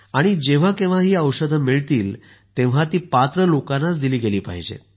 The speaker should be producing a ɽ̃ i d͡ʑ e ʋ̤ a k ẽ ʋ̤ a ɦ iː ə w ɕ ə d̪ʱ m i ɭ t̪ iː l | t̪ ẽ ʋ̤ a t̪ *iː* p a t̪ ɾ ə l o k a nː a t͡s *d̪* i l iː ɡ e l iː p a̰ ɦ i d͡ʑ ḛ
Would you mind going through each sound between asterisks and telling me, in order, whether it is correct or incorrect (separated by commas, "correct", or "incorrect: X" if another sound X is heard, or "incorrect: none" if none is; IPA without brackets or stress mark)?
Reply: correct, correct